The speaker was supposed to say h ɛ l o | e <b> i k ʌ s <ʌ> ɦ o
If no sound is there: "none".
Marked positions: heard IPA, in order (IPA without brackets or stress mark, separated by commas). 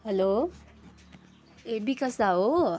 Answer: b, a